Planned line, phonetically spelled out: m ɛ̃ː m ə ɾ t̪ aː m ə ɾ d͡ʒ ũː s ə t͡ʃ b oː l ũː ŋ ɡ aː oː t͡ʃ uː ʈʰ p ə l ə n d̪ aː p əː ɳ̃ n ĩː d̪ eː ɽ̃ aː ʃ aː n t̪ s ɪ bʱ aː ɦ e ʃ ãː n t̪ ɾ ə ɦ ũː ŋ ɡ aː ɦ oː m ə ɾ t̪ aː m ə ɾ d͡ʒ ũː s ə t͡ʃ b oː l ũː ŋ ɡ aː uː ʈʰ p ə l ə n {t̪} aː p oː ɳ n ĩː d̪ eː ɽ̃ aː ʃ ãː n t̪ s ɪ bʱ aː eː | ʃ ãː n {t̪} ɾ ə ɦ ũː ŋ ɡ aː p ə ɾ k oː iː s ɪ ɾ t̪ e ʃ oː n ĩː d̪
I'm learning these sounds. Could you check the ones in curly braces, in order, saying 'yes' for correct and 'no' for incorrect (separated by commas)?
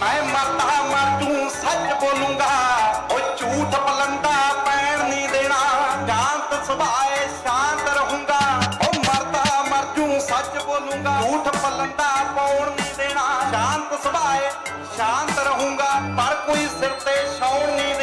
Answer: no, yes